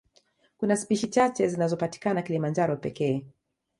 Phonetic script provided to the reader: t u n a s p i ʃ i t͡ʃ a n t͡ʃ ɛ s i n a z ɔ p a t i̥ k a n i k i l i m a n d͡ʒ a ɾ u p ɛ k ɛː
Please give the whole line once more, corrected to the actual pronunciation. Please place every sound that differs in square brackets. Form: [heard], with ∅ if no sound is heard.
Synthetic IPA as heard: [k] u n a s p i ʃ i t͡ʃ a [∅] t͡ʃ ɛ [z] i n a z ɔ p a t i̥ k a n [a] k i l i m a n d͡ʒ a ɾ [ɔ] p ɛ k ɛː